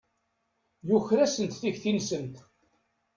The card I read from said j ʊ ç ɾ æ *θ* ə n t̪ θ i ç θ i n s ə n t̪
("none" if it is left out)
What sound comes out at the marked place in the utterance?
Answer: s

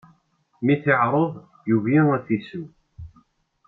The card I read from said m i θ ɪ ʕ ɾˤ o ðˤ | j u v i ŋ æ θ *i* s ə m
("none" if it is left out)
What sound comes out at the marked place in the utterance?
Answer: i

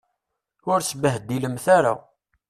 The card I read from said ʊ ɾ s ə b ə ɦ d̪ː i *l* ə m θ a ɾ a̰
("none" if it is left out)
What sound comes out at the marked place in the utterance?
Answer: l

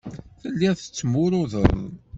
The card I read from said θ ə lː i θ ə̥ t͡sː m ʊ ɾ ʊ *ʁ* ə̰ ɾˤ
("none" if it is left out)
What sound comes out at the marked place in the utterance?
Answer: ð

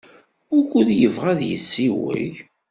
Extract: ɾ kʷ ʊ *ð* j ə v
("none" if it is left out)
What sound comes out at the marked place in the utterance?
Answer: ð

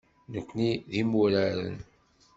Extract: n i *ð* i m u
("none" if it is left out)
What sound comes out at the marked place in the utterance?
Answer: ð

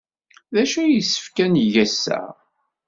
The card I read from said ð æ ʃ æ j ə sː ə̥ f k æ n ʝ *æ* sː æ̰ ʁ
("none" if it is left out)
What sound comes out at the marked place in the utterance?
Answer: æ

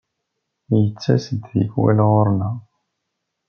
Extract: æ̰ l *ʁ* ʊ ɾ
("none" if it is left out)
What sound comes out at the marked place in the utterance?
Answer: ʁ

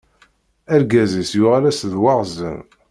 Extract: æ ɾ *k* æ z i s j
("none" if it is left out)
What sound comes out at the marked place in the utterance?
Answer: ɡ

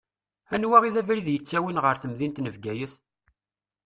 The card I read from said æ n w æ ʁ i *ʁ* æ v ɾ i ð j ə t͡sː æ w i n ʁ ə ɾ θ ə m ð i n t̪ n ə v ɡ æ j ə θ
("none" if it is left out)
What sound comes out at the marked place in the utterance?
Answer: ð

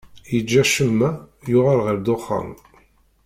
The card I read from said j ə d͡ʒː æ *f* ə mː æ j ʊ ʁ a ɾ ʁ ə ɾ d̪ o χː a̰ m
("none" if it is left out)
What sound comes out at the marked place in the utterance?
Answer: ʃ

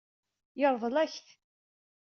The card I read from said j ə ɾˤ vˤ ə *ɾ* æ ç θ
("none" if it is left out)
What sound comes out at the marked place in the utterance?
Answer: l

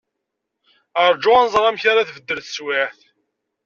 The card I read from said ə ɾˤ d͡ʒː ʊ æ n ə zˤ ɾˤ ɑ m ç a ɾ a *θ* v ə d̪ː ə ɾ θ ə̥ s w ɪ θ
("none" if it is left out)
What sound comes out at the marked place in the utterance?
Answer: θ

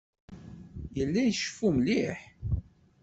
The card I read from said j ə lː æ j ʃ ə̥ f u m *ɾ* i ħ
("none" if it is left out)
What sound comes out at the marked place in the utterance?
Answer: l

